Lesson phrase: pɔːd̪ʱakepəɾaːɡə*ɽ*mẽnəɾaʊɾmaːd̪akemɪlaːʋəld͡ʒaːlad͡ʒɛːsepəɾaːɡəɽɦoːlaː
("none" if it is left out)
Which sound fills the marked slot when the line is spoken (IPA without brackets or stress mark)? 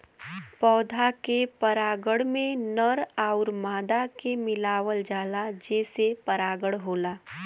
ɽ